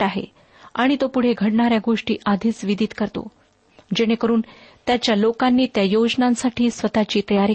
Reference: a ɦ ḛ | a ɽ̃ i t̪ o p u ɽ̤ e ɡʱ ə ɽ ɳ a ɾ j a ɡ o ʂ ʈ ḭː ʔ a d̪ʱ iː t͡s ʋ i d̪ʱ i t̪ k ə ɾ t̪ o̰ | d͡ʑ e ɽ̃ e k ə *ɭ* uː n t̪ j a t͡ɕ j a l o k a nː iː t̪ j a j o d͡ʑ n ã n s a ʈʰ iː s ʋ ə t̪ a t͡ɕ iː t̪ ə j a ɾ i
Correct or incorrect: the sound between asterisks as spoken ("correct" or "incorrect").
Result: incorrect